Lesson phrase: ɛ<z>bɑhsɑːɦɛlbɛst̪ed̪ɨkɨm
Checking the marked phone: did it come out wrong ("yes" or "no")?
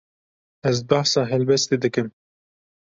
no